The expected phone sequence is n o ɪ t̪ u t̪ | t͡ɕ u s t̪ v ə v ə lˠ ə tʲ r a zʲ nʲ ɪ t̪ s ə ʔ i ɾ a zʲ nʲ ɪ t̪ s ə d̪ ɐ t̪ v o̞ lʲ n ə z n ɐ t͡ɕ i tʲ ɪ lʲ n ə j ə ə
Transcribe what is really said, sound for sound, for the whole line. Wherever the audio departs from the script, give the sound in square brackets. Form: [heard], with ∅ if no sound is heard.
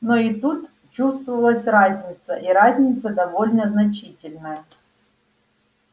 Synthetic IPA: n o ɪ t̪ u t̪ | t͡ɕ u s t̪ v ə v ə lˠ ə [sʲ] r a zʲ nʲ ɪ t̪ s ə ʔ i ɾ a zʲ nʲ ɪ t̪ s ə d̪ ɐ [∅] v o̞ lʲ n ə z n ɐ t͡ɕ i tʲ ɪ lʲ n ə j ə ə